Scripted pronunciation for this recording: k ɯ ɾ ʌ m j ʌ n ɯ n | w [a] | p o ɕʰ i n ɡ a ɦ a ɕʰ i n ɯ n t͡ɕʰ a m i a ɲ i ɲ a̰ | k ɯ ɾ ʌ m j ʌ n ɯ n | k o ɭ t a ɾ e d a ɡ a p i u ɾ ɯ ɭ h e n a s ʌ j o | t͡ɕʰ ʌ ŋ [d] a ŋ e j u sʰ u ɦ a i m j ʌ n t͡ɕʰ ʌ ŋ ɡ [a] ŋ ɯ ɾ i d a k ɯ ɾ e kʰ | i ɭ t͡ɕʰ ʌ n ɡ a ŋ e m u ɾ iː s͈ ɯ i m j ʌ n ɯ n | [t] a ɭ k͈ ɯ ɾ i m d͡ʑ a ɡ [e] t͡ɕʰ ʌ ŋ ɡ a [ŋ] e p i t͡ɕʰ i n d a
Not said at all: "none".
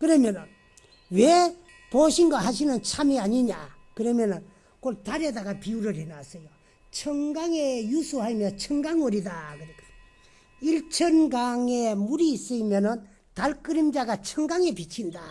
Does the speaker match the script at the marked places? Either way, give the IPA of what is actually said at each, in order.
e, ɡ, a, t, a, ŋ

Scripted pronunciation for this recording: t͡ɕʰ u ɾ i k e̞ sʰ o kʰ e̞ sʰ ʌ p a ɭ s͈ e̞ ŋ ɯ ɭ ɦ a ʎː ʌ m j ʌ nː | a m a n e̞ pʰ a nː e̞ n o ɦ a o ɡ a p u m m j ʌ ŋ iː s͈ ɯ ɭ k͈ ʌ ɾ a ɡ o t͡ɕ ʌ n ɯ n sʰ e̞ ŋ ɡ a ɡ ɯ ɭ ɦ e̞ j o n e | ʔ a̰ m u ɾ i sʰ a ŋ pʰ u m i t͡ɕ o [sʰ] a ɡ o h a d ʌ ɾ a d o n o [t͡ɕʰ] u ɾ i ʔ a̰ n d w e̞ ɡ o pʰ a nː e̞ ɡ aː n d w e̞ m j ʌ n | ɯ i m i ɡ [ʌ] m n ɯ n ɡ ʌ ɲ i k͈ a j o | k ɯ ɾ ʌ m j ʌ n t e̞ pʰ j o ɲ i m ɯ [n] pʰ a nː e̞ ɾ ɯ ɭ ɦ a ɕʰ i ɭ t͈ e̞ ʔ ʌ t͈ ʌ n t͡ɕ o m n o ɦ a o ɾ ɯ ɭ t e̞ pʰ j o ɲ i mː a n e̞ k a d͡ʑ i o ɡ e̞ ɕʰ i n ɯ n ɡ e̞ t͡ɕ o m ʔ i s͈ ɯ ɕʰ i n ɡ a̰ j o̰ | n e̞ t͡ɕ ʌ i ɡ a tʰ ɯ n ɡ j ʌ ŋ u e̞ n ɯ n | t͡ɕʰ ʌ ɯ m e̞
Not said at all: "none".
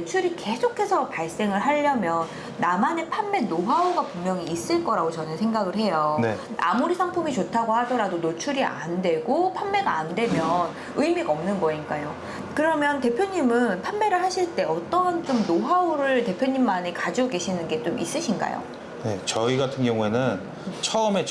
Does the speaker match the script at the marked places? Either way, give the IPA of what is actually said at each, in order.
tʰ, t͡ɕʰ, ʌ, n

